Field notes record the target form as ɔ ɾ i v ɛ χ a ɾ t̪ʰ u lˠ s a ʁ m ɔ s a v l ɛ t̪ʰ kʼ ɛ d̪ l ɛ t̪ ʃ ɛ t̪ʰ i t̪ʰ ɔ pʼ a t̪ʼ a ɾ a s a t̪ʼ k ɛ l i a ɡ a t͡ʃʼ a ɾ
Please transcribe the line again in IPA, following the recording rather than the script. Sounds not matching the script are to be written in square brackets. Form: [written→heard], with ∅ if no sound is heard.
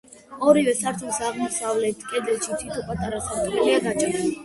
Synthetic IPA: ɔ ɾ i v ɛ [χ→s] a ɾ t̪ʰ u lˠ s a ʁ m ɔ s a v l ɛ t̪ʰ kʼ ɛ d̪ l ɛ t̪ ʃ [ɛ→i] t̪ʰ i t̪ʰ ɔ pʼ a t̪ʼ a ɾ a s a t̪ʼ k ɛ l i a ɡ a t͡ʃʼ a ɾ